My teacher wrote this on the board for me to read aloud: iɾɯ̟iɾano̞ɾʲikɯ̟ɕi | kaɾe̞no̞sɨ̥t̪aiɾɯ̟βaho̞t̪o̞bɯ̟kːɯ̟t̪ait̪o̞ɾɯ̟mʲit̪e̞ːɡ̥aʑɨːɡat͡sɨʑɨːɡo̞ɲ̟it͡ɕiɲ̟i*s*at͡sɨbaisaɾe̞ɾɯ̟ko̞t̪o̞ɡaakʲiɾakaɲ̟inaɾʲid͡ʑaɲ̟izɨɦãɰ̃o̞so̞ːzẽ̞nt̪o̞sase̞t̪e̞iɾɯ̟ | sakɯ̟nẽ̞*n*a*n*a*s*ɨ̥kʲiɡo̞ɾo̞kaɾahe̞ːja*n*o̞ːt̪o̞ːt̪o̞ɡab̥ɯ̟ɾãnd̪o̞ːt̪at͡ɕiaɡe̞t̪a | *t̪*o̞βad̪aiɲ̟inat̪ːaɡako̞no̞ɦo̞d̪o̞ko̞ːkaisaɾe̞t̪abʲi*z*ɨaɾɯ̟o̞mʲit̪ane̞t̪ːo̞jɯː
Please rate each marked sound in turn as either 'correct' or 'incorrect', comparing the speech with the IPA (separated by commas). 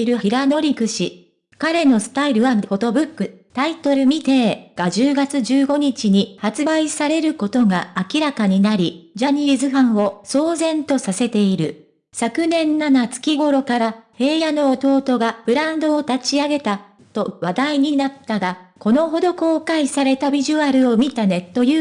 incorrect, incorrect, correct, incorrect, correct, correct, incorrect